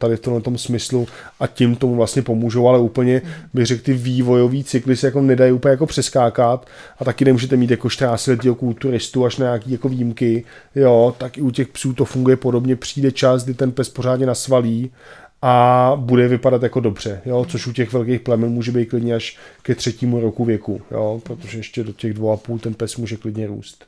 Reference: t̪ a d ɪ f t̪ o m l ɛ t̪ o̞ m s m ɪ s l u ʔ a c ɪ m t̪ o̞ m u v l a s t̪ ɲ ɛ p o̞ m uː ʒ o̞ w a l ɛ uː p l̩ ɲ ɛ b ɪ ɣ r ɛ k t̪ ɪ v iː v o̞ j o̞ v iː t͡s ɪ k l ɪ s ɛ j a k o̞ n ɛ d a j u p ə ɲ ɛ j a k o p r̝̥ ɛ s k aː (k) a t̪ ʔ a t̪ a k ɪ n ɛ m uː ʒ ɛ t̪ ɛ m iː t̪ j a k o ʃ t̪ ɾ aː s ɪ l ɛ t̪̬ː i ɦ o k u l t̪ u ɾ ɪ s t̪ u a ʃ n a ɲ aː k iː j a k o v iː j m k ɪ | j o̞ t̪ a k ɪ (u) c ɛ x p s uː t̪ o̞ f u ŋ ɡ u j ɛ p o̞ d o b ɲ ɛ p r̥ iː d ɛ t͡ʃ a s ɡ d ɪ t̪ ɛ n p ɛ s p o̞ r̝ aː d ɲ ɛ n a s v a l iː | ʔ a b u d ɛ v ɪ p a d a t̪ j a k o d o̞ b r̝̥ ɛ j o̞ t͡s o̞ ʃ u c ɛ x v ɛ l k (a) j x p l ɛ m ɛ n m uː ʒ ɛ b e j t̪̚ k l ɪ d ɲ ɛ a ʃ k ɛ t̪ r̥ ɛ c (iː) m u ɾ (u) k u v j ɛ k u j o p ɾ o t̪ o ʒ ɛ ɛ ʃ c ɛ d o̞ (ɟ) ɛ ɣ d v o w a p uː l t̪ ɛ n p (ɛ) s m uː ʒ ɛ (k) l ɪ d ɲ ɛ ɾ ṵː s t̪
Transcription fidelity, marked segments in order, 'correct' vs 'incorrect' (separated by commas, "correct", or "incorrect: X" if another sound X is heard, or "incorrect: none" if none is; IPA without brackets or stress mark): correct, correct, incorrect: e, correct, incorrect: o, incorrect: c, correct, correct